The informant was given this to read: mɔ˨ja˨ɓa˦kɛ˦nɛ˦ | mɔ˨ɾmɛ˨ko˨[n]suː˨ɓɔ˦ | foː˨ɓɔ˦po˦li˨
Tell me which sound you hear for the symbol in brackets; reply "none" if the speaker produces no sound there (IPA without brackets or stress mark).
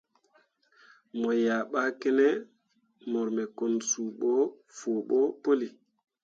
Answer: n